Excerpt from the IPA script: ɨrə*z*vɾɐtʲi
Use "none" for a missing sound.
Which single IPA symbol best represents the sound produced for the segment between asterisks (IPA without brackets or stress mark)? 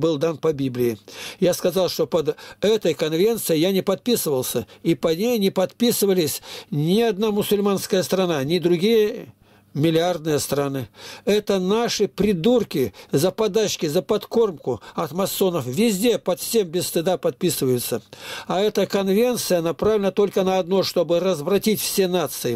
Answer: z